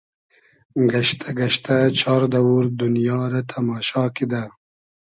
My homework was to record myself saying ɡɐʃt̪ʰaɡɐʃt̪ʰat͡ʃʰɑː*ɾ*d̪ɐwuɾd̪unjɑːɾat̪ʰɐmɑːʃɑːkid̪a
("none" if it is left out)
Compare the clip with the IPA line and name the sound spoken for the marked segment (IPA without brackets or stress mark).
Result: ɾ